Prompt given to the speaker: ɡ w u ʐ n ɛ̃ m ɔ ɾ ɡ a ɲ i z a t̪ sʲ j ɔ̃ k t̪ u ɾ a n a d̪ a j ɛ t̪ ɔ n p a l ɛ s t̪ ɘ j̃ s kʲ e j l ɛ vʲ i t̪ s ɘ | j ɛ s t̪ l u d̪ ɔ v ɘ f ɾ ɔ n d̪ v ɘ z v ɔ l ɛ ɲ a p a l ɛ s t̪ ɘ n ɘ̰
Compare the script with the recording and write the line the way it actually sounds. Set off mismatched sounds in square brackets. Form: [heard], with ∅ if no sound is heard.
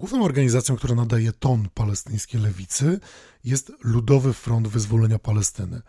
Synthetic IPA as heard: ɡ w u [v] n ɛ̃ m ɔ ɾ ɡ a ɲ i z a t̪ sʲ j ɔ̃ k t̪ u ɾ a n a d̪ a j ɛ t̪ ɔ n p a l ɛ s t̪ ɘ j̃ s kʲ e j l ɛ vʲ i t̪ s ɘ | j ɛ s t̪ l u d̪ ɔ v ɘ f ɾ ɔ n d̪ v ɘ z v ɔ l ɛ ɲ a p a l ɛ s t̪ ɘ n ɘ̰